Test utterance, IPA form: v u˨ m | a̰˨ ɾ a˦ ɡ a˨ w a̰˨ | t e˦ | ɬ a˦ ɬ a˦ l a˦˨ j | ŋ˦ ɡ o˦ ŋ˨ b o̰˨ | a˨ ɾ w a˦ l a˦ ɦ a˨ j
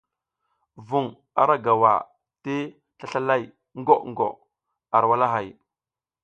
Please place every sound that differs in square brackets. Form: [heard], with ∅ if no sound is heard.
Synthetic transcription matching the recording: v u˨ [ŋ] | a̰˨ ɾ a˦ ɡ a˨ w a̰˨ | t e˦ | ɬ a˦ ɬ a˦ l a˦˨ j | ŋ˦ ɡ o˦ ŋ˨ [ɡ] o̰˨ | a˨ ɾ w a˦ l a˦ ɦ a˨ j